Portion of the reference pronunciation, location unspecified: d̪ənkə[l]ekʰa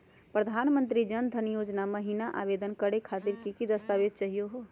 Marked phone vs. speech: incorrect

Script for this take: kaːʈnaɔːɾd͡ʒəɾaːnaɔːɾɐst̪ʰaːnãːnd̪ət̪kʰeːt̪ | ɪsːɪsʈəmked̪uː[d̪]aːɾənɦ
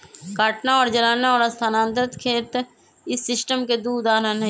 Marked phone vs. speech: correct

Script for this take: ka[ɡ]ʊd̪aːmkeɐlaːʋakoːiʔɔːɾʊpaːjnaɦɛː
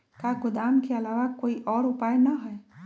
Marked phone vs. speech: correct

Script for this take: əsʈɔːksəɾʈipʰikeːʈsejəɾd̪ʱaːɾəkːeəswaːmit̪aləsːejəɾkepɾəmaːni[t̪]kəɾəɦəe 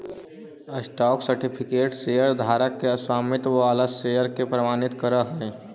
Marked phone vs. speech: correct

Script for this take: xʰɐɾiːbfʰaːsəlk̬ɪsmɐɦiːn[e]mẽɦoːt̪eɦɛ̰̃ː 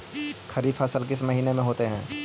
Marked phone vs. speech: correct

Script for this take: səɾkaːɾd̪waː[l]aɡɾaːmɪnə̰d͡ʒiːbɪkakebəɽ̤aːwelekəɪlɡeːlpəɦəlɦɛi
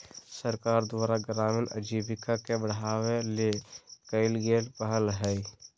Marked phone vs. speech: incorrect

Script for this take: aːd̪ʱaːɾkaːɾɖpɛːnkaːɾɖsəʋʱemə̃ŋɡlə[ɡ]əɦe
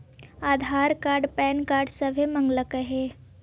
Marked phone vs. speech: incorrect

